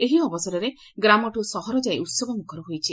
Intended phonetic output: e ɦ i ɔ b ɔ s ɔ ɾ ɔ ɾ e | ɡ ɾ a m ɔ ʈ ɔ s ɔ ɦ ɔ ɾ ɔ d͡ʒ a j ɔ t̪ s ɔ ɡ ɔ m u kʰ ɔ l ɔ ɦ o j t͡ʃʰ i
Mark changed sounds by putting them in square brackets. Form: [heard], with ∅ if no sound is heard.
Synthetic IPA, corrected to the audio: e ɦ i ɔ b ɔ s ɔ ɾ ɔ ɾ e | ɡ ɾ a m ɔ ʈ [u] s ɔ ɦ ɔ ɾ ɔ d͡ʒ a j [u] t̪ s ɔ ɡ ɔ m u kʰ ɔ [ɾ] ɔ ɦ o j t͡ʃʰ i